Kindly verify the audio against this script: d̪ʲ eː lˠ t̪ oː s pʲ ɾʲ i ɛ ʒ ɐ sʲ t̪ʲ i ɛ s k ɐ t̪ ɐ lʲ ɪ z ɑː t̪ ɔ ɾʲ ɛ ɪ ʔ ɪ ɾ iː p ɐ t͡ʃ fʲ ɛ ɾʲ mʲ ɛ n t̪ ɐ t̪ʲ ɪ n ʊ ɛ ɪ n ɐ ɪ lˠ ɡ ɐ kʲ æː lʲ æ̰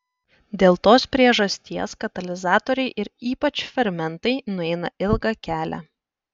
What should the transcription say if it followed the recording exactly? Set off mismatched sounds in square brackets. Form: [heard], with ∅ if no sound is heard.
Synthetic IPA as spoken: d̪ʲ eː lˠ t̪ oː s pʲ ɾʲ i ɛ ʒ ɐ sʲ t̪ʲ i ɛ s k ɐ t̪ ɐ lʲ ɪ z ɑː t̪ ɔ ɾʲ ɛ ɪ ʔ ɪ ɾ iː p ɐ t͡ʃ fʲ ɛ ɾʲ mʲ ɛ n t̪ ɐ [∅] ɪ n ʊ ɛ ɪ n ɐ ɪ lˠ ɡ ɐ kʲ æː lʲ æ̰